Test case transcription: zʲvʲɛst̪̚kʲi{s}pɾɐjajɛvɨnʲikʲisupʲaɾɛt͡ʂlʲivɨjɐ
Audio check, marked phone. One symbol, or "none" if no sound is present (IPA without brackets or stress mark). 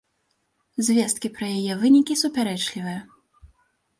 none